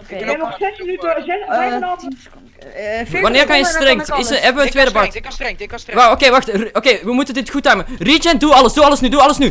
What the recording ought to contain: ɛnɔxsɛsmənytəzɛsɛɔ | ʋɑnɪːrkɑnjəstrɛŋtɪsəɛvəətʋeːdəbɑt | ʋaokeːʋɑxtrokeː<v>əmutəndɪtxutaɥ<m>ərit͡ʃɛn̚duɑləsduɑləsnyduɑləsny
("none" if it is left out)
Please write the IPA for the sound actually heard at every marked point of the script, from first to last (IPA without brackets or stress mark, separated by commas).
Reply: ʋ, m